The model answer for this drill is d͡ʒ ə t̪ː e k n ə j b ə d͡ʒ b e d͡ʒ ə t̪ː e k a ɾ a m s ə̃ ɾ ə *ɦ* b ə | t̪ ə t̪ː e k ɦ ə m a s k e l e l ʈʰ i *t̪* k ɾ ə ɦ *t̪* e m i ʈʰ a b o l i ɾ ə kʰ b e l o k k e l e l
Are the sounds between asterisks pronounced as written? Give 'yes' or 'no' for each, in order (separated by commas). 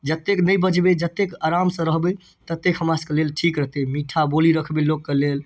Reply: yes, no, yes